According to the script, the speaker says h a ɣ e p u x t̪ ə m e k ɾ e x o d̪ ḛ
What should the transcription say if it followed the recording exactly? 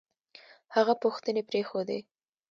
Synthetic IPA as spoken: h a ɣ a p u x t̪ ə n e p ɾ e x o d̪ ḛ